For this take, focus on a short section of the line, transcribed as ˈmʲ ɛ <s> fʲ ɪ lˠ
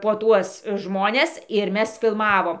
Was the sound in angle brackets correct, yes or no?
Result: yes